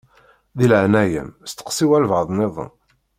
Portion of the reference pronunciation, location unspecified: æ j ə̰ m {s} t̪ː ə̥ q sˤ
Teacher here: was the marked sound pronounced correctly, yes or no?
yes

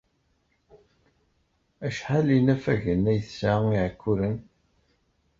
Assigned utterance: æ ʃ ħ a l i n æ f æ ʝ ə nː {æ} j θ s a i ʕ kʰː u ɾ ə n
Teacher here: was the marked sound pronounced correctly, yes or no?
yes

